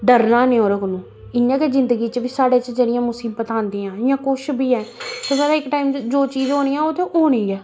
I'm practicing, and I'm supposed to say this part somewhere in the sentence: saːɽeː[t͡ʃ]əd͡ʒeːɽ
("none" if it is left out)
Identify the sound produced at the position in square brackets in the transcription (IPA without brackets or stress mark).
t͡ʃ